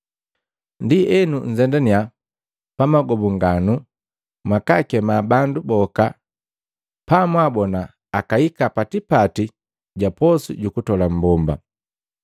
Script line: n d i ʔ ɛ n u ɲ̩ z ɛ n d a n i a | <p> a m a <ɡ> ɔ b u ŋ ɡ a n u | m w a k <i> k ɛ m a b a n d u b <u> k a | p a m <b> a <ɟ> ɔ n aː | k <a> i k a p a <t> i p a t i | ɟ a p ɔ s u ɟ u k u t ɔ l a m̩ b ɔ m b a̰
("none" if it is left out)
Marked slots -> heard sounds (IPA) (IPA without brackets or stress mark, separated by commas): p, ɡ, a, ɔ, w, b, a, t